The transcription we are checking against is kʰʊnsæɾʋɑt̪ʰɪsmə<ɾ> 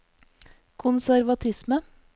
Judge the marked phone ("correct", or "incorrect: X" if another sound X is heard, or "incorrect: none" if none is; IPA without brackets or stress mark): incorrect: none